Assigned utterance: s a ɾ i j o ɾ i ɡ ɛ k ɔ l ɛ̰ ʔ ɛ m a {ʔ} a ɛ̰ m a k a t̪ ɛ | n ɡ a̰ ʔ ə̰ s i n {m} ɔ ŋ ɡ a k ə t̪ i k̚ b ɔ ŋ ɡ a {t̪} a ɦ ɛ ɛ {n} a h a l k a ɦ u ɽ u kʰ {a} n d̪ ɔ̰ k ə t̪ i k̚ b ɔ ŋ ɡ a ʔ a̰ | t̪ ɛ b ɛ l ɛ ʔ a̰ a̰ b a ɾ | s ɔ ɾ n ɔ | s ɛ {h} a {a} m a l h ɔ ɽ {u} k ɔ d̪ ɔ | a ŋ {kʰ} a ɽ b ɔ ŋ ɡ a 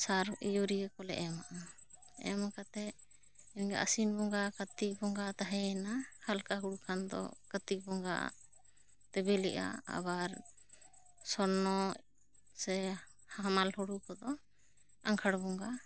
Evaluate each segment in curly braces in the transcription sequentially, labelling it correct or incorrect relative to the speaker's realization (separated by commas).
correct, incorrect, correct, correct, correct, correct, correct, correct, correct